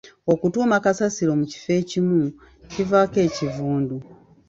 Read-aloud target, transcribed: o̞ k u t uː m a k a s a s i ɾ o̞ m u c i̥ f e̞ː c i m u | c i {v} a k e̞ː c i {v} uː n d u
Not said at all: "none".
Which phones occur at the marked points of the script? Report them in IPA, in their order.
v, v

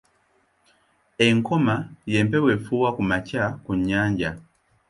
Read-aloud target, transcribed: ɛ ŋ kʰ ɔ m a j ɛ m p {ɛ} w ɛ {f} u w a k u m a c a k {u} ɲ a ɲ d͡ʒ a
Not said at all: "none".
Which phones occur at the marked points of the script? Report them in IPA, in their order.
ɛ, f, u

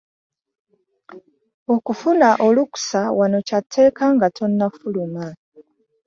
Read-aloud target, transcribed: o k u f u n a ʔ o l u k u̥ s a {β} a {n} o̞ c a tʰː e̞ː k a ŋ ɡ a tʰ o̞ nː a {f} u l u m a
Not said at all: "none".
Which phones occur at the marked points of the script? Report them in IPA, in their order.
w, n, f

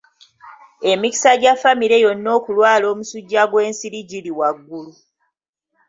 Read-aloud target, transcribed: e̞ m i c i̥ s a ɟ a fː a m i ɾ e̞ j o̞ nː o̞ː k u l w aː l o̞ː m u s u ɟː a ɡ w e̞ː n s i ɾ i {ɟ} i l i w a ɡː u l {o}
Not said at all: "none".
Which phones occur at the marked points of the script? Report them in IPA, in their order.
ɟ, u

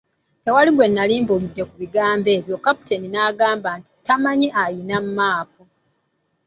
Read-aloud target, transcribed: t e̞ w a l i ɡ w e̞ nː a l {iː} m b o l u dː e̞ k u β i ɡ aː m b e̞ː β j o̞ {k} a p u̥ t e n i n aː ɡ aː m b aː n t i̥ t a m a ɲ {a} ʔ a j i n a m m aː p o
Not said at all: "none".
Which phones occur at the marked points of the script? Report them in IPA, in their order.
iː, k, i

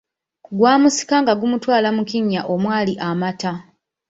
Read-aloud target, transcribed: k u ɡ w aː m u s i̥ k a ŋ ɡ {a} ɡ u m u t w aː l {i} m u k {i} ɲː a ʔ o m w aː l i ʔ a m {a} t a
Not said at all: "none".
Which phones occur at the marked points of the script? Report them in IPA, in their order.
a, a, i, a

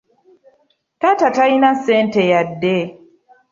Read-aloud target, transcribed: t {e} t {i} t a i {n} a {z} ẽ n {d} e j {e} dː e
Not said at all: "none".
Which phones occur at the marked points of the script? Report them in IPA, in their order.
a, a, n, s, t, a

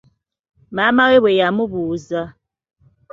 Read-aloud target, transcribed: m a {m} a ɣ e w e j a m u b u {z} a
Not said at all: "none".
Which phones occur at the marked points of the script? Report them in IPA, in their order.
m, z

